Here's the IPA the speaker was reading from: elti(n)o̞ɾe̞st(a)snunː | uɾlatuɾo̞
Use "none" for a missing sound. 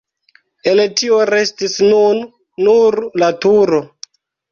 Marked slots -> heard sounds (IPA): none, i

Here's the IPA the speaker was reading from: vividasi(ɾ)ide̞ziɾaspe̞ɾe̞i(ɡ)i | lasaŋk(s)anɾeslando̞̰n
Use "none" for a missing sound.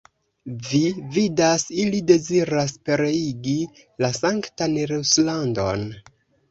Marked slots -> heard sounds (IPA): l, ɡ, t

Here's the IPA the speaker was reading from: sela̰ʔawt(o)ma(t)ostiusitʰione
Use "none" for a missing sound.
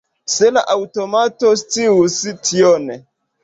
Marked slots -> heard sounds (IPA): o, t

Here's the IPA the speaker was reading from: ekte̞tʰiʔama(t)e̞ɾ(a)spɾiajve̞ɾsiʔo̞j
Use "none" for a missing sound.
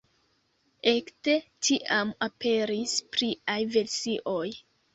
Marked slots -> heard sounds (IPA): p, i

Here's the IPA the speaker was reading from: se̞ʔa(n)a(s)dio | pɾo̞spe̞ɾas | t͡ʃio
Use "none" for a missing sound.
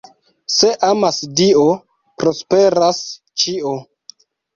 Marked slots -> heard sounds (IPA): m, s

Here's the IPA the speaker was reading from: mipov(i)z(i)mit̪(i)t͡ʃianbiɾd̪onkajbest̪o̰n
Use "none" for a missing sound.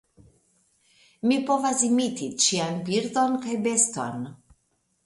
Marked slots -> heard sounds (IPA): a, i, i

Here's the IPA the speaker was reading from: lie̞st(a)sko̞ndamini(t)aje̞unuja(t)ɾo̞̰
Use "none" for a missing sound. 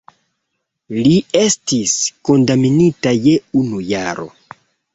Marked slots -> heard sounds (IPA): i, t, none

